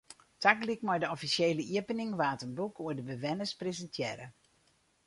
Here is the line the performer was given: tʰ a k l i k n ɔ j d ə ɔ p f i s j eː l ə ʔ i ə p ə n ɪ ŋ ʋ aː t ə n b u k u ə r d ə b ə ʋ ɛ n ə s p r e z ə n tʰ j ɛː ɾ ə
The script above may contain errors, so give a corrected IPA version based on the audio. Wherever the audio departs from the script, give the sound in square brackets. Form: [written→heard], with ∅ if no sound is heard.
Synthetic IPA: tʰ a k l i k [n→m] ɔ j d ə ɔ [p→∅] f i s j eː l ə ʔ i ə p ə n ɪ ŋ ʋ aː t ə n b u k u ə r d ə b ə ʋ ɛ n ə s p r e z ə n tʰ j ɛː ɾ ə